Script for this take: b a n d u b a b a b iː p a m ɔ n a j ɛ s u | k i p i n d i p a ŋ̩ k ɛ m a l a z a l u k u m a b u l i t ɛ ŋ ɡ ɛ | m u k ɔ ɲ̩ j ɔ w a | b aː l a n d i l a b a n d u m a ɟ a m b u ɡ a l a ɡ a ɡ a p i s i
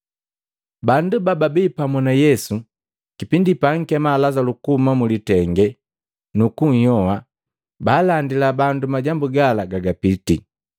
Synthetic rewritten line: b a n d u b a b a b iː p a m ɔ n a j ɛ s u | k i p i n d i p a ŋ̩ k ɛ m a l a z a l u k u m a m u l i t ɛ ŋ ɡ ɛ | n u k u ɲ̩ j ɔ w a | b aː l a n d i l a b a n d u m a ɟ a m b u ɡ a l a ɡ a ɡ a p i t i